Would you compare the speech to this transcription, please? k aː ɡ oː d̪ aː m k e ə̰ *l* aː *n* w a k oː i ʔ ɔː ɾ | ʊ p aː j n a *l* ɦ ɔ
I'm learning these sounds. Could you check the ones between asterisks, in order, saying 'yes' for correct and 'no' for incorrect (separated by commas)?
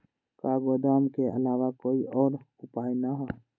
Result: yes, no, no